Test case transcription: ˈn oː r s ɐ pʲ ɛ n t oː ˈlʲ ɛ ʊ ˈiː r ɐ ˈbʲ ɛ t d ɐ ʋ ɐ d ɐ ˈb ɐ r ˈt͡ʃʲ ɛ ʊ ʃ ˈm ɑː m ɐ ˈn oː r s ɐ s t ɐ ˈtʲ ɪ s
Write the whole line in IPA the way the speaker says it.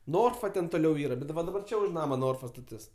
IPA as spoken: ˈn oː r f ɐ tʲ ɛ n t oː ˈlʲ ɛ ʊ ˈiː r ɐ ˈbʲ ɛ t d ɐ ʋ ɐ d ɐ ˈb ɐ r ˈt͡ʃʲ ɛ ʊ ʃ ˈn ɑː m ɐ ˈn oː r f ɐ s t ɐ ˈtʲ ɪ s